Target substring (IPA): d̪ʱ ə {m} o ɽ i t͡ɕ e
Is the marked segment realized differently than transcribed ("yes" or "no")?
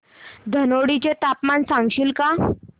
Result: yes